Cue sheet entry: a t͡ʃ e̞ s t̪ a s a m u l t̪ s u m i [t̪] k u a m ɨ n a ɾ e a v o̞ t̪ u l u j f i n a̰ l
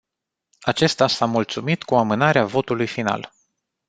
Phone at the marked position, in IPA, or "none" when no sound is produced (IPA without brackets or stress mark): t̪